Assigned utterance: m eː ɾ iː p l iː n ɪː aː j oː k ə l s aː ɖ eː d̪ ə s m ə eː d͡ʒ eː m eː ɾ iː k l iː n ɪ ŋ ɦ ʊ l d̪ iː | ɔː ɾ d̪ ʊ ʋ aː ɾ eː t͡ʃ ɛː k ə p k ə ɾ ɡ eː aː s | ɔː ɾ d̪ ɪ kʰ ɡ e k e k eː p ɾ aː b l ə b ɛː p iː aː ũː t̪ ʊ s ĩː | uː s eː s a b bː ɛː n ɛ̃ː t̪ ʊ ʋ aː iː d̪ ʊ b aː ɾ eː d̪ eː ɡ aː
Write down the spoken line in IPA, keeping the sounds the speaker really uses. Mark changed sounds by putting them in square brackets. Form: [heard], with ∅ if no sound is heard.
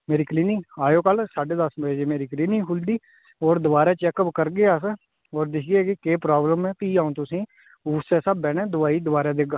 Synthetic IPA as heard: m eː ɾ iː [k] l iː n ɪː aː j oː k ə l s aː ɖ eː d̪ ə s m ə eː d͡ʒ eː m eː ɾ iː k l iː n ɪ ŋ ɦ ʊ l d̪ iː | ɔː ɾ d̪ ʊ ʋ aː ɾ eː t͡ʃ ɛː k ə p k ə ɾ ɡ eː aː s | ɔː ɾ d̪ ɪ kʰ ɡ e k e k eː p ɾ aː b l ə [m] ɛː p iː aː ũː t̪ ʊ s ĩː | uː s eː s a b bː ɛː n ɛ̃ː [d̪] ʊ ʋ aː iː d̪ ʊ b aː ɾ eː d̪ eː ɡ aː

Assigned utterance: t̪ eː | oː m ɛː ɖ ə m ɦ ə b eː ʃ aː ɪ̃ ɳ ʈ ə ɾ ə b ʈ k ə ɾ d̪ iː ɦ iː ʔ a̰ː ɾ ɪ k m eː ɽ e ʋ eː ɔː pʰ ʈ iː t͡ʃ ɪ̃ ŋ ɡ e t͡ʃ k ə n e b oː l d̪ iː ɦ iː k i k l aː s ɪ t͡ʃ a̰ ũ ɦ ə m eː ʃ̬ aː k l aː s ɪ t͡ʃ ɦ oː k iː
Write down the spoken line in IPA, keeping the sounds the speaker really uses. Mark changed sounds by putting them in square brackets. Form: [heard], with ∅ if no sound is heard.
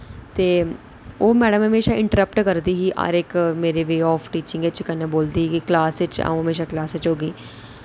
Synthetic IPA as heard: t̪ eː | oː m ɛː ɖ ə m ɦ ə [m] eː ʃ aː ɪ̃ ɳ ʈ ə ɾ ə [p] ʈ k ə ɾ d̪ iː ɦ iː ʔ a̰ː ɾ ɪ k m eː [ɾ] e ʋ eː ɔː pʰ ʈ iː t͡ʃ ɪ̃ ŋ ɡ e t͡ʃ k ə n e b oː l d̪ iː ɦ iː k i k l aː s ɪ t͡ʃ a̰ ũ ɦ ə m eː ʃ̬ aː k l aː s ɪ t͡ʃ ɦ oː [ɡ] iː

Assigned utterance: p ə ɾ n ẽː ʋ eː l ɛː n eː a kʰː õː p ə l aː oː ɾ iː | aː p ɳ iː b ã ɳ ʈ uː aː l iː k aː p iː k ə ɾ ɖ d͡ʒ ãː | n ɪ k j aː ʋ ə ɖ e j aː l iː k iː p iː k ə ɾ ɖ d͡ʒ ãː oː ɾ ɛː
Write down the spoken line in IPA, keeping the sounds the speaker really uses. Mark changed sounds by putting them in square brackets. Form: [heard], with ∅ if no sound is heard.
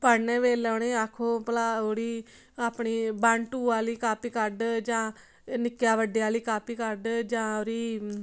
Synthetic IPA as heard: p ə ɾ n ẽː ʋ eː l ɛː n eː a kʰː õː p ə l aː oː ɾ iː | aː p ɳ iː b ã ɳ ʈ uː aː l iː k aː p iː k ə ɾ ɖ d͡ʒ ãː | n ɪ k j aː ʋ ə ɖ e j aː l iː k [aː] p iː k ə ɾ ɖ d͡ʒ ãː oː ɾ [iː]

